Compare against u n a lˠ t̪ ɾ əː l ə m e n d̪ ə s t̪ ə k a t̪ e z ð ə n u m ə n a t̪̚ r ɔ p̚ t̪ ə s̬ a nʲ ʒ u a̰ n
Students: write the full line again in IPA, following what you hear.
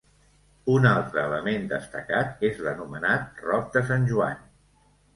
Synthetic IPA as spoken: u n a lˠ t̪ ɾ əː l ə m e n d̪ ə s t̪ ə k a t̪ e z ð ə n u m ə n a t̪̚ r ɔ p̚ d̪ ə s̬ a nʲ ʒ u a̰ n